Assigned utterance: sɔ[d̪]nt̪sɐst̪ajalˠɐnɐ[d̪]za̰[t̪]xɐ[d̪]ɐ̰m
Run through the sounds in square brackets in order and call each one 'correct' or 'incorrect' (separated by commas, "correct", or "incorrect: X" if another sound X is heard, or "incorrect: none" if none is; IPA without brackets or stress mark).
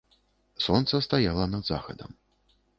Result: incorrect: none, correct, incorrect: none, correct